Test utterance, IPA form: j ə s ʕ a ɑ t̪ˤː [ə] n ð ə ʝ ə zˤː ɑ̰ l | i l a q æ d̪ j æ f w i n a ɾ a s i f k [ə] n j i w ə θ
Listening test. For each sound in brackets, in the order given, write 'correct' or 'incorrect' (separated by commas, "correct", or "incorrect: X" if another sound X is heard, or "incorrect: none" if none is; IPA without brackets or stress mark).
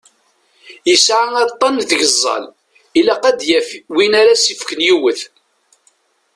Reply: incorrect: ɑ, correct